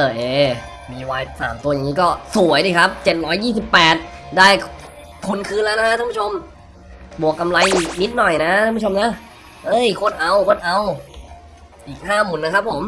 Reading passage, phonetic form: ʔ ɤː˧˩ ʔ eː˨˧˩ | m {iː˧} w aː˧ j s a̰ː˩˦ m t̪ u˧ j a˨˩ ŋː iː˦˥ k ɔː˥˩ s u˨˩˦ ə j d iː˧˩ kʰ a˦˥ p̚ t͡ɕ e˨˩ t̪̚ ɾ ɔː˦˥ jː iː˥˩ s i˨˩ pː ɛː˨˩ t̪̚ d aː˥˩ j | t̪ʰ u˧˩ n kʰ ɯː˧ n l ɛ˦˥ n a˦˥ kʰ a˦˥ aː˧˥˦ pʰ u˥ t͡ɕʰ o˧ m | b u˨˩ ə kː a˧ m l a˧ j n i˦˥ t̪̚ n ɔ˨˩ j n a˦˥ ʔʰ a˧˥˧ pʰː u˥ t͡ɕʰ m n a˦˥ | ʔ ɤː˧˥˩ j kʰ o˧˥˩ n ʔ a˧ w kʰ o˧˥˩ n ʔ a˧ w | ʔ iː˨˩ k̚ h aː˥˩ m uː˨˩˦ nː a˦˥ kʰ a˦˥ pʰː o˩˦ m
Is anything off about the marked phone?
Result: no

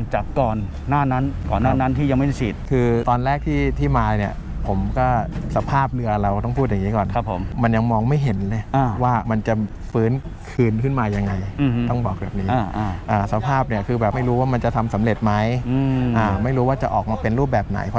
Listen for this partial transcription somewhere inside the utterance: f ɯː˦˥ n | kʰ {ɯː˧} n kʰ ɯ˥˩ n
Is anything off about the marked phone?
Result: no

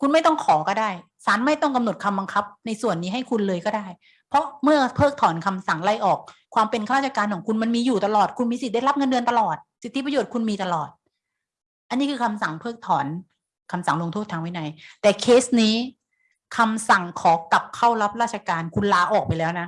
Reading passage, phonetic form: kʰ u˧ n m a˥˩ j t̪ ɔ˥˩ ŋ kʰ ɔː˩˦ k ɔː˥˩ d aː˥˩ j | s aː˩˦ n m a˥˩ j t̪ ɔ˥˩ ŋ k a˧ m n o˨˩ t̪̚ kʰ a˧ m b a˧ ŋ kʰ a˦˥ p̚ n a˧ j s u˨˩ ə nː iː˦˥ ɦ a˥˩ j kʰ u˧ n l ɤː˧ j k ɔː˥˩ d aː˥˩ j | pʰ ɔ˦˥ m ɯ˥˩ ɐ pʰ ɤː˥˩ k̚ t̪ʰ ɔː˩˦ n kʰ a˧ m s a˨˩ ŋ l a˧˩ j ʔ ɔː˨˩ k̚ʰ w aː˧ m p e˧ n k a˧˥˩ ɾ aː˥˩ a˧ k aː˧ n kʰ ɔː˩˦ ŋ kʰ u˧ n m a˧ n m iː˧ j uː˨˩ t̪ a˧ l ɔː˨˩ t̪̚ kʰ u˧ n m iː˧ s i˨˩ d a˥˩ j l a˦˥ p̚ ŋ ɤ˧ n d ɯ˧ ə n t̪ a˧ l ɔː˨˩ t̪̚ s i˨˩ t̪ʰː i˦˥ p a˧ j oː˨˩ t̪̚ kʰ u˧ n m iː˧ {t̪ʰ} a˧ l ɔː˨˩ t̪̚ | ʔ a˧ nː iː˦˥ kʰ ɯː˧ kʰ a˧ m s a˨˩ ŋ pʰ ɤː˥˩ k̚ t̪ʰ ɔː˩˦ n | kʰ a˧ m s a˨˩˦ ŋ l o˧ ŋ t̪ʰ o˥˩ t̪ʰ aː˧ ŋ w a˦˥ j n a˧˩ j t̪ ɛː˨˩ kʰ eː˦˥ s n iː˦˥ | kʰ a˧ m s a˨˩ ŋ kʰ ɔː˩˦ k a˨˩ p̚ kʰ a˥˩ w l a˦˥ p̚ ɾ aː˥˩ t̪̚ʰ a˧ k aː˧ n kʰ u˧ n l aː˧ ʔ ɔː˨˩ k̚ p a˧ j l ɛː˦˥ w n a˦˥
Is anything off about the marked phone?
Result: yes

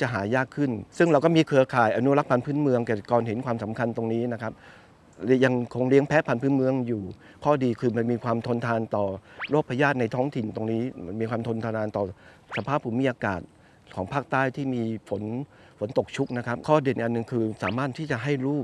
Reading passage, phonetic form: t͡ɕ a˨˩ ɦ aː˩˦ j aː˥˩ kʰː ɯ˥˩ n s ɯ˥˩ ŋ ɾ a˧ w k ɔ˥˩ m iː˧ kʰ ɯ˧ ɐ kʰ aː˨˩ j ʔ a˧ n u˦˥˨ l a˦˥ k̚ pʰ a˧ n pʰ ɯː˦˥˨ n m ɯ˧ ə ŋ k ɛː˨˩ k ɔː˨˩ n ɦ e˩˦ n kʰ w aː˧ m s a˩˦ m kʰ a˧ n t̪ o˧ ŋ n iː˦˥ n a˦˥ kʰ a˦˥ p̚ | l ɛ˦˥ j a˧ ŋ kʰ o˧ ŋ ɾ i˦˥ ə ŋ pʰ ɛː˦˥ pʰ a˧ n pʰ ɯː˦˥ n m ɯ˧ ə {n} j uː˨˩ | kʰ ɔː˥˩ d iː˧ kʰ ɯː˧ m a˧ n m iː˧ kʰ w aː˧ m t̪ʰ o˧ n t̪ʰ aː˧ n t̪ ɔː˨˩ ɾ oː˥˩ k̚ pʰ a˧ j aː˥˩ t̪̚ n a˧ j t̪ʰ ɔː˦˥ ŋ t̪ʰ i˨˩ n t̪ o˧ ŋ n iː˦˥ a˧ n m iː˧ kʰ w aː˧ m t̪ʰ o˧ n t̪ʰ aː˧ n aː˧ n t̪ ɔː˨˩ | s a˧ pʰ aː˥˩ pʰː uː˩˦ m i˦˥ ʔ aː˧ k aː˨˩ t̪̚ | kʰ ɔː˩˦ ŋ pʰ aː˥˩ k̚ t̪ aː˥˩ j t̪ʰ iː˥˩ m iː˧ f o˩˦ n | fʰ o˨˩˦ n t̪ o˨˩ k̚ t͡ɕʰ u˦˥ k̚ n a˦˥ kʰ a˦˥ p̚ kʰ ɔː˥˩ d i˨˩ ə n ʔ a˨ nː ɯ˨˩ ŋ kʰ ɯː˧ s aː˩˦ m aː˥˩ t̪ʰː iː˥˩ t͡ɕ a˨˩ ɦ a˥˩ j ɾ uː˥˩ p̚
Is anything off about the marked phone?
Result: yes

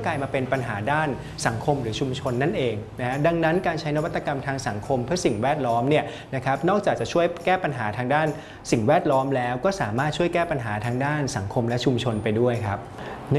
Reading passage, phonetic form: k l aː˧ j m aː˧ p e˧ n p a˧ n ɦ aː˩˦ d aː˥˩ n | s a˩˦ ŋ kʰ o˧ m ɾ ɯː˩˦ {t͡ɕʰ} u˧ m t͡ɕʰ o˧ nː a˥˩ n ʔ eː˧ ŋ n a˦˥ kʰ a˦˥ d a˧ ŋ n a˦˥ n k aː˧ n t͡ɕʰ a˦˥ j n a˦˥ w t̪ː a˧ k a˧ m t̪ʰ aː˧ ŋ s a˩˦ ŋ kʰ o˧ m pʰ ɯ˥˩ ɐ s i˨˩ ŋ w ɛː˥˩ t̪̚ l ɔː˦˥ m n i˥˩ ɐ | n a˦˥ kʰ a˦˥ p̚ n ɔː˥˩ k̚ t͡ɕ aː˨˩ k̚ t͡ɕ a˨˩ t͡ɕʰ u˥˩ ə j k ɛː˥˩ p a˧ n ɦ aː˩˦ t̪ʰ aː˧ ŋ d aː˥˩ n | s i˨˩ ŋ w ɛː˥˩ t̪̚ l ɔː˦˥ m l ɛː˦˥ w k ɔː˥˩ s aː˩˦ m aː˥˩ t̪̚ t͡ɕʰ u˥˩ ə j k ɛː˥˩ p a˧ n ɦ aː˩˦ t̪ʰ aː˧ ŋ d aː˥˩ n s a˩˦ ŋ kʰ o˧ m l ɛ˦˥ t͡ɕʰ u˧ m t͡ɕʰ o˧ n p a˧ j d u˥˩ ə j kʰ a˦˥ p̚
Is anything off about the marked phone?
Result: no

